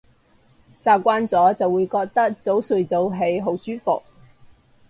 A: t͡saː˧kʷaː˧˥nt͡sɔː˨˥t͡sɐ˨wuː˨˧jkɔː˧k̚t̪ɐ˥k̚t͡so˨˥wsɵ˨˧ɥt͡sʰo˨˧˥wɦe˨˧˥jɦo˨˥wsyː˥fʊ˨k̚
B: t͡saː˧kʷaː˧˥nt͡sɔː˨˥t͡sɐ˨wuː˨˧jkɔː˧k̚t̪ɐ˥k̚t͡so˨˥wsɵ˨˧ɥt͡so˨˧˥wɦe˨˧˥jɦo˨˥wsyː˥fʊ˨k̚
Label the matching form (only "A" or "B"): B